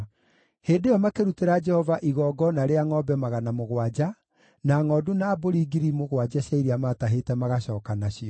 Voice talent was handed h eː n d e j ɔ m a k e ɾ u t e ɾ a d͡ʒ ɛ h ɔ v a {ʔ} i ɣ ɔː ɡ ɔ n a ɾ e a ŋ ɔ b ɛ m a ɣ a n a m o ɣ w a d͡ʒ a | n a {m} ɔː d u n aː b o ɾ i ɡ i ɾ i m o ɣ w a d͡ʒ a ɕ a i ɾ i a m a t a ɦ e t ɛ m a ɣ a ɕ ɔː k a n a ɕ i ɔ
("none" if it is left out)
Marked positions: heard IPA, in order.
ʔ, ŋ

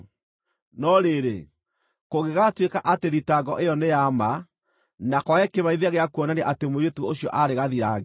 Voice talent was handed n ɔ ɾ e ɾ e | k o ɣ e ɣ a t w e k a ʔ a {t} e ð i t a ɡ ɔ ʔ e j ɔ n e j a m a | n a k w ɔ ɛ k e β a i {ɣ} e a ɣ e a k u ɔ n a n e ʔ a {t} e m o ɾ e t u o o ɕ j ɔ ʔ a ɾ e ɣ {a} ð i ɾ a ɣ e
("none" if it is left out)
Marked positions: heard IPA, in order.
t, ð, t, a

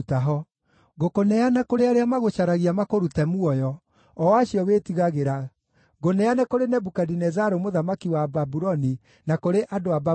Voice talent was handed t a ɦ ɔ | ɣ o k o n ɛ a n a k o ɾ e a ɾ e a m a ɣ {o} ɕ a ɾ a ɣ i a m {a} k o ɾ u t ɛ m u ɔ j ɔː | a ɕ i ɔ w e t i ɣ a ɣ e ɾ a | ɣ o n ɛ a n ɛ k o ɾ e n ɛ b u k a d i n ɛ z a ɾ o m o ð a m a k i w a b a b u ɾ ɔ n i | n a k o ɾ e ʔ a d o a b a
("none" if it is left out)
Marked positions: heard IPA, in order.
o, a

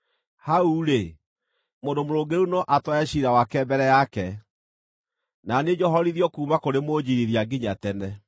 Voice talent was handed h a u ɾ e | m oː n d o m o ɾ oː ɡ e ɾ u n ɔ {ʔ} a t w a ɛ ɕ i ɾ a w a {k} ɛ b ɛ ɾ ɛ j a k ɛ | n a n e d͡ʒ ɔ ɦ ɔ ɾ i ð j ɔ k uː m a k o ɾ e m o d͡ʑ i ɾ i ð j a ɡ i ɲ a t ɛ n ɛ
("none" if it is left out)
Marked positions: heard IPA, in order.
ʔ, k

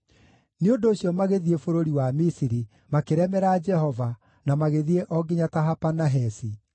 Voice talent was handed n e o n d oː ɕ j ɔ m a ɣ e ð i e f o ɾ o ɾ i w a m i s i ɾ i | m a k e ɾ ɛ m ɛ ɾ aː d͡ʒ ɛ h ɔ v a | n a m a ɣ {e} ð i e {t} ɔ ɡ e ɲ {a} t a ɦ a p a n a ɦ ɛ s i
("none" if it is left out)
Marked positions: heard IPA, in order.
e, ʔ, a

